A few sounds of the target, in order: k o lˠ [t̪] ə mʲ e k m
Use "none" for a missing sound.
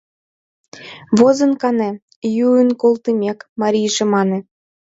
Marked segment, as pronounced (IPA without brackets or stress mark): t̪